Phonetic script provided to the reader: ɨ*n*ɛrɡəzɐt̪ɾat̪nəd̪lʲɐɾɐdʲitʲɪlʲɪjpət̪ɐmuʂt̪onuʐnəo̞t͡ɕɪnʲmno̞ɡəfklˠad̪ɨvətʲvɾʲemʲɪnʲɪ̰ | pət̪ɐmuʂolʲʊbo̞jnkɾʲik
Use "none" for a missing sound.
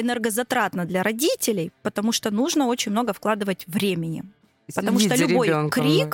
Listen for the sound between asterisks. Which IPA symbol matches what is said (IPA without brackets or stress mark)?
n